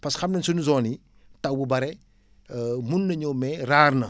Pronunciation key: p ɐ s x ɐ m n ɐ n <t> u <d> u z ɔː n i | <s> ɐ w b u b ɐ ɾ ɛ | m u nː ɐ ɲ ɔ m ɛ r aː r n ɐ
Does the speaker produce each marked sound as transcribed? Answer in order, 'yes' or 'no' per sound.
no, no, no

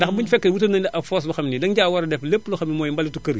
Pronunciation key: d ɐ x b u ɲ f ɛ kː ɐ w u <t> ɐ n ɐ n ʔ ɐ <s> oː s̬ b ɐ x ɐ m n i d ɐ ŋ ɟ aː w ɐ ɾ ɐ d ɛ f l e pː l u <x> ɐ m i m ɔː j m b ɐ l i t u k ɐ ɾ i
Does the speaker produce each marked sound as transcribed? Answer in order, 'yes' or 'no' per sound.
yes, no, yes

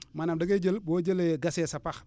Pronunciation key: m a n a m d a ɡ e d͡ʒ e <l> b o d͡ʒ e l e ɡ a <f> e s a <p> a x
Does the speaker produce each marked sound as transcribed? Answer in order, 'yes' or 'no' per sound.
yes, no, yes

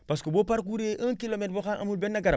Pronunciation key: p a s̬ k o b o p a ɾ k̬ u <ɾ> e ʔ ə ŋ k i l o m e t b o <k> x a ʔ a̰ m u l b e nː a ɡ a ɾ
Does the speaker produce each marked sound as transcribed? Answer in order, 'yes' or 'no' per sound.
yes, no

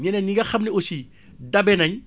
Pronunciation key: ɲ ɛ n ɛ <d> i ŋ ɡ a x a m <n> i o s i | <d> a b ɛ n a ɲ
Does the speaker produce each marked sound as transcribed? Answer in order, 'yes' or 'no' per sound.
no, yes, yes

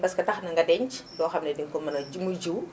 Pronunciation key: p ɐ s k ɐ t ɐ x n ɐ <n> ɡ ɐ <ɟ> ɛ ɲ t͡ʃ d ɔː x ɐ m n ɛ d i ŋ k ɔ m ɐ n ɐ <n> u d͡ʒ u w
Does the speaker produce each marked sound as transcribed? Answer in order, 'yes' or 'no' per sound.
no, no, no

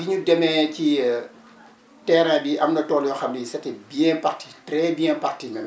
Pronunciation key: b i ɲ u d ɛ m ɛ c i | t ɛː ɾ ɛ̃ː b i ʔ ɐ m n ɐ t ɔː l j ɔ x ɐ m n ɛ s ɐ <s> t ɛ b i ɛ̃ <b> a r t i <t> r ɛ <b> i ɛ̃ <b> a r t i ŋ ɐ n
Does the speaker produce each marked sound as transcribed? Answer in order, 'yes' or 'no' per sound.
no, no, yes, yes, no

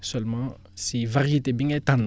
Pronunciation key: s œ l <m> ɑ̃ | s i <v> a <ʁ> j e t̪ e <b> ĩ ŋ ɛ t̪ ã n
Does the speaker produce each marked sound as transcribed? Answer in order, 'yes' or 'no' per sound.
yes, yes, yes, yes

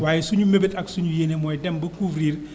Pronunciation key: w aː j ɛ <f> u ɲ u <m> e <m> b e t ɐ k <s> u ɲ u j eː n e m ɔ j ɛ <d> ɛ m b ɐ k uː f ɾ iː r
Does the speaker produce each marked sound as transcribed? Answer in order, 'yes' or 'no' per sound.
no, yes, no, yes, yes

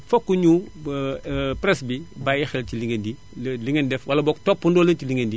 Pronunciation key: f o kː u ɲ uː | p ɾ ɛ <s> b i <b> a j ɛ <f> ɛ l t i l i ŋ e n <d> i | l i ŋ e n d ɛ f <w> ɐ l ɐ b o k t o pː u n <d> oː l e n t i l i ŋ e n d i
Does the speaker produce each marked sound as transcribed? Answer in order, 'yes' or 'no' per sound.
yes, yes, no, yes, yes, yes

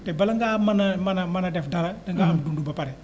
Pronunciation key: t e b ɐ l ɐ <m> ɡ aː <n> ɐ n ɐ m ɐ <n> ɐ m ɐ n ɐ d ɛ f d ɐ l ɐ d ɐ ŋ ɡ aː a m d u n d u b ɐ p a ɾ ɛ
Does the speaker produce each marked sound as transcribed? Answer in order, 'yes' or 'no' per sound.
no, no, yes

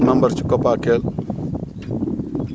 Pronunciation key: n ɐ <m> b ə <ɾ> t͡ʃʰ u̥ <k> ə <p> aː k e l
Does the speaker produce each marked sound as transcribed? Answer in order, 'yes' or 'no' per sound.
yes, yes, yes, yes

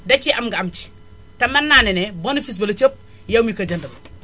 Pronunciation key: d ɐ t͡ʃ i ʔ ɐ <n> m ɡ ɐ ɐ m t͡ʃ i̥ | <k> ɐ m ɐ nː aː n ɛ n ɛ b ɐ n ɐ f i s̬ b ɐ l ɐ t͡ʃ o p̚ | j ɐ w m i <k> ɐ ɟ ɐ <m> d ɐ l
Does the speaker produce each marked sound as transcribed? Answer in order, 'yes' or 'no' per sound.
no, no, yes, no

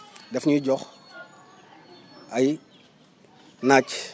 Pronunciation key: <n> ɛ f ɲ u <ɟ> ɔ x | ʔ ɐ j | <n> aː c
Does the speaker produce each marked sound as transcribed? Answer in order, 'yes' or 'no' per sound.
no, yes, yes

